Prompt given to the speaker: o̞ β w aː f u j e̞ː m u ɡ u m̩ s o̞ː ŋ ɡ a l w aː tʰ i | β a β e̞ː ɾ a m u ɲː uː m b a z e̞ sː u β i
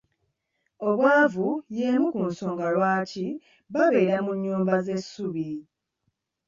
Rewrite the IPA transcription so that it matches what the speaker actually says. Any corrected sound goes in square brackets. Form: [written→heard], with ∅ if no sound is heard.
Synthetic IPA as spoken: o̞ β w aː [f→v] u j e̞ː m u [ɡ→k] u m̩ s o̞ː ŋ ɡ a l w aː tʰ i | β a β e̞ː ɾ a m u ɲː uː m b a z e̞ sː u β i